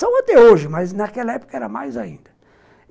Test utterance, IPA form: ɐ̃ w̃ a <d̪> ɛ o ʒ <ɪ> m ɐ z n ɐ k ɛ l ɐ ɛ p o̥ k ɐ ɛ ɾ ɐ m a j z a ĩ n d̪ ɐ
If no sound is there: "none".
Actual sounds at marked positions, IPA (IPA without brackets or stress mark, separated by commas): t̪, ɪ